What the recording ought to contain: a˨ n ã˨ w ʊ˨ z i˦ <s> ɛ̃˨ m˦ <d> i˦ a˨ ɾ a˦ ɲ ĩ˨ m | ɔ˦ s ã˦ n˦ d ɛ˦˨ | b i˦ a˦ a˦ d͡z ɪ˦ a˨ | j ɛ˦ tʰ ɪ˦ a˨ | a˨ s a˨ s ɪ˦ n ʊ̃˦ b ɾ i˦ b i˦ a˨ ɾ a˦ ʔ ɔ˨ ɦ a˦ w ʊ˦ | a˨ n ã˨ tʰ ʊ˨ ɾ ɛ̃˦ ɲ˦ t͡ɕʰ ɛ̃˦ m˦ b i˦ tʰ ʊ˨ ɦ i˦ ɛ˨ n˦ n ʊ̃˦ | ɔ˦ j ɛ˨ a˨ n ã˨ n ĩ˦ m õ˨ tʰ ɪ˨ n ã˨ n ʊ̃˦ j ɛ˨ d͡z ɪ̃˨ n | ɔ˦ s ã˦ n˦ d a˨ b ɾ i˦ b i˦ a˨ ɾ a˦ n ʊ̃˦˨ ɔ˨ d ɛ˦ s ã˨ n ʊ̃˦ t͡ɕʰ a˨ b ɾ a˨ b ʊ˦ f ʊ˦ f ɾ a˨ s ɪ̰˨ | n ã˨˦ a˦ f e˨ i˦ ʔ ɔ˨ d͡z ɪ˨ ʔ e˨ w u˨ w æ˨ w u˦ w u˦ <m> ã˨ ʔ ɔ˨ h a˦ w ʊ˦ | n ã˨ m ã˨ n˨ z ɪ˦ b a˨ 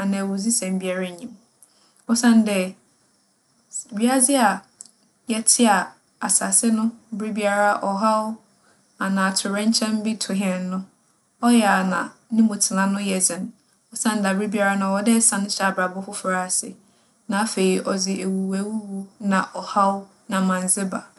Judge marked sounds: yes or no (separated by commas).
yes, no, no